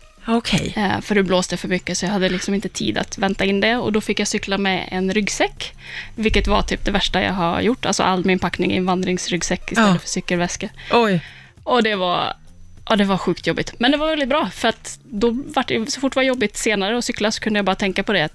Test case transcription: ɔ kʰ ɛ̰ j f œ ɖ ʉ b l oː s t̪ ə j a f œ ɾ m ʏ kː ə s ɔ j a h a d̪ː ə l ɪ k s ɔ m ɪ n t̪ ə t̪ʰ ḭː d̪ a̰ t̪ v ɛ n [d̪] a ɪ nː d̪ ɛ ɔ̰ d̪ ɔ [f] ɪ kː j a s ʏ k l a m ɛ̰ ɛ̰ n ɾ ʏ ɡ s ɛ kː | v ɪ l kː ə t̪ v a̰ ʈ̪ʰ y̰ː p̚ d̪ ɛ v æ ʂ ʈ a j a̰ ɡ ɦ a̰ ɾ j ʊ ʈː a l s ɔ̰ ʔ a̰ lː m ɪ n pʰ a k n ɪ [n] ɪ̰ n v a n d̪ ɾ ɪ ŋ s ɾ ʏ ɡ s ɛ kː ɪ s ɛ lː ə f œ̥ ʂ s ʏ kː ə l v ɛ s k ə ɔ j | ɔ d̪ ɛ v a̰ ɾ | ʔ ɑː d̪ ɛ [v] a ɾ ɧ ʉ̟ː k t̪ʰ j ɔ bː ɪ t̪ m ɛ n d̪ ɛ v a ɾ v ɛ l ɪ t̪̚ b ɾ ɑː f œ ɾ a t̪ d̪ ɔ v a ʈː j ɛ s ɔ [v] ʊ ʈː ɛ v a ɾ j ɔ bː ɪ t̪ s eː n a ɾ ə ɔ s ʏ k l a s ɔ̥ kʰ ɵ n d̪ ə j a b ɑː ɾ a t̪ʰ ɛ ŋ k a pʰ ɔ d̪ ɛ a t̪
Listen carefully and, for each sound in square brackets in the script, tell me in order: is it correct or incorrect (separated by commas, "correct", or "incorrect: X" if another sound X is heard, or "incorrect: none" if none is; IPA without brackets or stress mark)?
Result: incorrect: t̪, correct, incorrect: ŋ, correct, incorrect: f